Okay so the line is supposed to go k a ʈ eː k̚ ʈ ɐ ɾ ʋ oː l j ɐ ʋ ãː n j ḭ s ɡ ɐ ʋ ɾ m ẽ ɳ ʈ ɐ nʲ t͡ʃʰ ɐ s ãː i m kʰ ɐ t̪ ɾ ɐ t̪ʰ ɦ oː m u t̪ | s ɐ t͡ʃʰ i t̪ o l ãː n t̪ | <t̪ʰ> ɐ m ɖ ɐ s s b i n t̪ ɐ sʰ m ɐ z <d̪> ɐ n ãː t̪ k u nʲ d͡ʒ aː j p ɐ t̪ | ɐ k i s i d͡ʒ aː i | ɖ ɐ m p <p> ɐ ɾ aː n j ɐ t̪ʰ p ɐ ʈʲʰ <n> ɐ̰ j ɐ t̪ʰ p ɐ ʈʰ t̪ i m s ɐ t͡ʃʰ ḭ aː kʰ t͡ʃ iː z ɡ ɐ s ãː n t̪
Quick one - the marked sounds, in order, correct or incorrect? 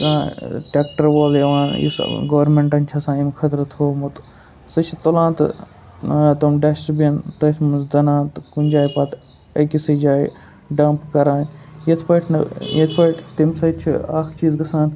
incorrect, correct, incorrect, correct

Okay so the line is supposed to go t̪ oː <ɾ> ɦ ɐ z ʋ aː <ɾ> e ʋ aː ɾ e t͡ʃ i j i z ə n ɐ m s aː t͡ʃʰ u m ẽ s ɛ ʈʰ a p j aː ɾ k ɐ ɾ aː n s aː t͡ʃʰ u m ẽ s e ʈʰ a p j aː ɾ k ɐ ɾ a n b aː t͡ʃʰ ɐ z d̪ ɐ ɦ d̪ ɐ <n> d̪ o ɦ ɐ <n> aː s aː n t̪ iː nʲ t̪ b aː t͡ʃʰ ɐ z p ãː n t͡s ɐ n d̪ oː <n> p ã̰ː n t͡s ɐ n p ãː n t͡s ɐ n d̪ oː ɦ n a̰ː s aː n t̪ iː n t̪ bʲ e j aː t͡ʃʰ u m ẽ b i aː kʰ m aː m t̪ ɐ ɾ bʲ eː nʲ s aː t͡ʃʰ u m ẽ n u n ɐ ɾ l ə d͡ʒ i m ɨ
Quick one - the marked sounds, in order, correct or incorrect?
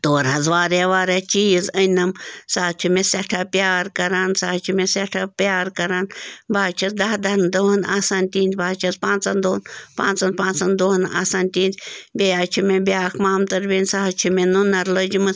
correct, correct, correct, correct, correct

